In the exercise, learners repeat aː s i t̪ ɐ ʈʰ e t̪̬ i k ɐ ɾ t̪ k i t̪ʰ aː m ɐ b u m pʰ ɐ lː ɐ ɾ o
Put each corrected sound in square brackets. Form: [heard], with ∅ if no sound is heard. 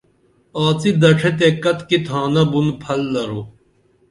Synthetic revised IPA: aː [t͡s] i [d̪] ɐ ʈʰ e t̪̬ [e] k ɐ [∅] t̪ k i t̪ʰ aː [n] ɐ b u [n] pʰ ɐ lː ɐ ɾ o